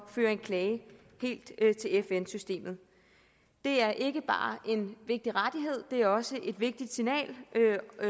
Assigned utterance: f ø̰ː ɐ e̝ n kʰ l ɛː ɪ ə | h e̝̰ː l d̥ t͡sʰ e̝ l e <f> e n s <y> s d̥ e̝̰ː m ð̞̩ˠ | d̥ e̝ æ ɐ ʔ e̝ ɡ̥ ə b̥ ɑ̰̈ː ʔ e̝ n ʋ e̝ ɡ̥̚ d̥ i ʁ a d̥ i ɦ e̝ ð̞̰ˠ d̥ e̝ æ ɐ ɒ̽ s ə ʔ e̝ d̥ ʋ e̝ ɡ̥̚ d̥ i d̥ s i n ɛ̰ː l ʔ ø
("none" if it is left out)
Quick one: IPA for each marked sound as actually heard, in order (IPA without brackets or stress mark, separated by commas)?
f, y